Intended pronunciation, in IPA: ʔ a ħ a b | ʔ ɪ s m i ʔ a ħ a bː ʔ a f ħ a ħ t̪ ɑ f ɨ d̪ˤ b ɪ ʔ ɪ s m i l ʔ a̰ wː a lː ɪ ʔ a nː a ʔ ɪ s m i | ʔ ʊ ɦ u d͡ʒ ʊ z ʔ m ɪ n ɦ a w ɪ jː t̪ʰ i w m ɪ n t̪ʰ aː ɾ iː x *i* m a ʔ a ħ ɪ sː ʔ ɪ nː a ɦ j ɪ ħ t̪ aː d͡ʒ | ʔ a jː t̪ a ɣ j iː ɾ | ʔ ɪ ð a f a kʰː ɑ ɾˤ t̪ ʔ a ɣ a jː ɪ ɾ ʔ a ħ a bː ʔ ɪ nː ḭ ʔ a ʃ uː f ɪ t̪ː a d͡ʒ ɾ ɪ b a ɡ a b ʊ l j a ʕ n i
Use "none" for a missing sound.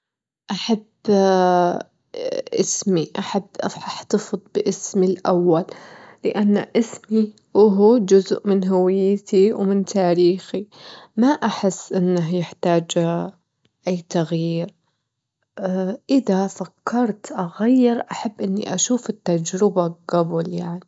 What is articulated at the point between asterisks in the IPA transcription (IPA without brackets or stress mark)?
i